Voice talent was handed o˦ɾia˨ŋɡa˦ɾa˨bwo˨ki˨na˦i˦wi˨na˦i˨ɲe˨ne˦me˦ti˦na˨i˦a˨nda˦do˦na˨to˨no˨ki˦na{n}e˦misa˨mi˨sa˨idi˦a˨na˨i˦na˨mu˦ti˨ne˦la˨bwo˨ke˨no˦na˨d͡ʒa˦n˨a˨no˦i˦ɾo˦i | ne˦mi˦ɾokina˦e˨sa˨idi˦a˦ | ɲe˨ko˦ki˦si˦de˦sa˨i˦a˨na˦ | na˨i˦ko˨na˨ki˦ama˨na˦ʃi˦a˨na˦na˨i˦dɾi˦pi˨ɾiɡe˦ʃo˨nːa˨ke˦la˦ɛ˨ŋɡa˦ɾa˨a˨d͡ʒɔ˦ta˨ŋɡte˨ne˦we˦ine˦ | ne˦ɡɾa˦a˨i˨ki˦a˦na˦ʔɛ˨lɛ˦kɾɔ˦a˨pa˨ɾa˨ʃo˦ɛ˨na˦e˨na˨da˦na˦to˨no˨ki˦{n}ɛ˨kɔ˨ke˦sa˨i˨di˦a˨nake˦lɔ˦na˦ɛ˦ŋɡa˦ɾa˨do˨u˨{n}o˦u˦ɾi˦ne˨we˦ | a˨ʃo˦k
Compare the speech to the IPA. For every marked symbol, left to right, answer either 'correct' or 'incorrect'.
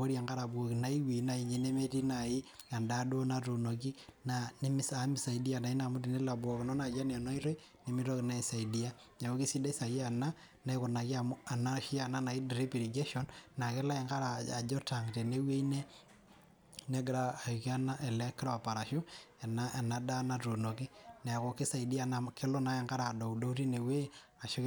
correct, correct, incorrect

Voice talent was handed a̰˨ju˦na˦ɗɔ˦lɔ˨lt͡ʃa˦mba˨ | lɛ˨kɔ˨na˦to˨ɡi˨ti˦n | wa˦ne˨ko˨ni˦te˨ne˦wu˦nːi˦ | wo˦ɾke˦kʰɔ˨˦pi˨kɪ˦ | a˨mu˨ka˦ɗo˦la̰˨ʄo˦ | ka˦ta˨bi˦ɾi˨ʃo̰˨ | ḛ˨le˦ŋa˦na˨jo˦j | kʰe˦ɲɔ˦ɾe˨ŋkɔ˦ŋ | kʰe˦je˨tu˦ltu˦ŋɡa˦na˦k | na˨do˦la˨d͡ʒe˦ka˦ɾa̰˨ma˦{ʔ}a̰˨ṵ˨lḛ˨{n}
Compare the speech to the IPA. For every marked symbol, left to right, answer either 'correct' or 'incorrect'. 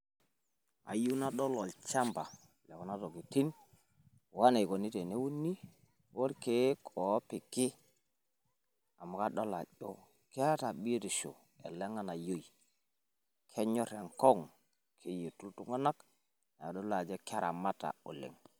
incorrect, incorrect

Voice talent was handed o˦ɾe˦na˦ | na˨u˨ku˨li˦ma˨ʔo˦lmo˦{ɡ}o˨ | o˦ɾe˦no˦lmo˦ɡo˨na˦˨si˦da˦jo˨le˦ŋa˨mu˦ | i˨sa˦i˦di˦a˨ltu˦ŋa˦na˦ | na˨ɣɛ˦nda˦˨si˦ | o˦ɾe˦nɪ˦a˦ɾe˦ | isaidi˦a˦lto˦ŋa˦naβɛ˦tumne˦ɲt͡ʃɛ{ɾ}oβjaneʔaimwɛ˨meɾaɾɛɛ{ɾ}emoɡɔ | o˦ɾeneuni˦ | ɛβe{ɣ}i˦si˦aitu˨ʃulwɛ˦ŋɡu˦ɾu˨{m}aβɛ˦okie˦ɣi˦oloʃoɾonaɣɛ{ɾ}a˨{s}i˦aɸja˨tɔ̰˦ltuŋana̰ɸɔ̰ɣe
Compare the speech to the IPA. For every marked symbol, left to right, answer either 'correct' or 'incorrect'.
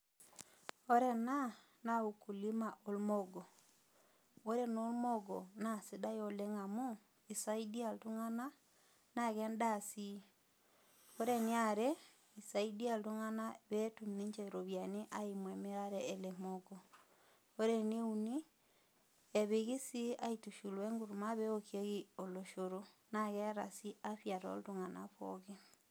correct, correct, incorrect, correct, correct, correct, correct

